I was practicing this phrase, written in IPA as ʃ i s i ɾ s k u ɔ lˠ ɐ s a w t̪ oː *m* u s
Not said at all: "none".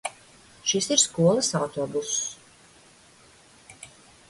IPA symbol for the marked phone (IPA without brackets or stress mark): b